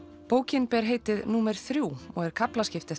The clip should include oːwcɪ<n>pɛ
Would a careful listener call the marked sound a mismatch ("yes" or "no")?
no